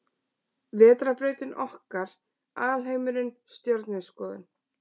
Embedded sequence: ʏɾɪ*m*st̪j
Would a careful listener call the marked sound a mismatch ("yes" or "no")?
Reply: yes